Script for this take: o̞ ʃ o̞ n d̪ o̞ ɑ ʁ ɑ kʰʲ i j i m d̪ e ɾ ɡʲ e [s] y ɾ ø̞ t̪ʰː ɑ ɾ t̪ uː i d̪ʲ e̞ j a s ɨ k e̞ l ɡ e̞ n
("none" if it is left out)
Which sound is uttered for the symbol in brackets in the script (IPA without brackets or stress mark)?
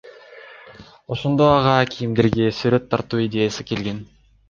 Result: s